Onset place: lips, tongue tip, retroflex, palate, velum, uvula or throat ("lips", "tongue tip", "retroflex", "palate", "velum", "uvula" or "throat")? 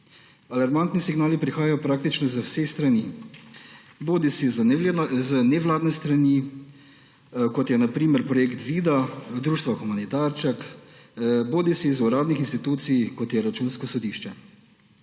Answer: tongue tip